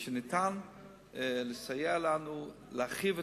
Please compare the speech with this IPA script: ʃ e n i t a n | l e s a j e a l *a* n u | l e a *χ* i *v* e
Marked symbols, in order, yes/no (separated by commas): yes, yes, yes